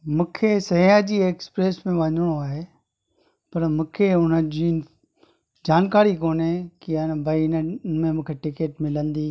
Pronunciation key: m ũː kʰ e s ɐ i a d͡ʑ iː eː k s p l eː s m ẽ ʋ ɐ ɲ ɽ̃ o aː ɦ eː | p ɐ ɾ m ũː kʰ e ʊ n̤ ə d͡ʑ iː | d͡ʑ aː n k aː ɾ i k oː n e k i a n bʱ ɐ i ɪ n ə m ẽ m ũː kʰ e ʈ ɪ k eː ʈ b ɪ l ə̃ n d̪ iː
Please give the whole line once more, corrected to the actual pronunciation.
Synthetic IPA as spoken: m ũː kʰ e s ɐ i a d͡ʑ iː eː k s p ɾ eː s m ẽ ʋ ɐ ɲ ɽ̃ o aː ɦ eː | p ɐ ɾ m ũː kʰ e ʊ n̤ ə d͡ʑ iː | d͡ʑ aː n k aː ɾ i k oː n e k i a n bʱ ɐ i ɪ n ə m ẽ m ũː kʰ e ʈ ɪ k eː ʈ m ɪ l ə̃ n d̪ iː